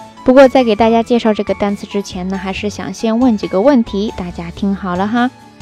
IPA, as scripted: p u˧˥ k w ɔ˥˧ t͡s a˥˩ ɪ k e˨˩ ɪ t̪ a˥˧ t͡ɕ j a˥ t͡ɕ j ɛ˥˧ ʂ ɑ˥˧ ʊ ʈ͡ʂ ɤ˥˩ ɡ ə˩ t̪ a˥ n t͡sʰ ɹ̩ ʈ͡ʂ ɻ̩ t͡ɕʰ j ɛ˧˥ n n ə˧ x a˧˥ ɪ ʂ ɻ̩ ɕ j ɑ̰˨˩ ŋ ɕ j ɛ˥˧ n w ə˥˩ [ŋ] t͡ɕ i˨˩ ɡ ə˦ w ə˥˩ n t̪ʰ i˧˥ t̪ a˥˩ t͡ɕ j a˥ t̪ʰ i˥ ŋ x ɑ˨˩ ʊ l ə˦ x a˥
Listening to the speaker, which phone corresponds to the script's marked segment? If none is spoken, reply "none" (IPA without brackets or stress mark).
n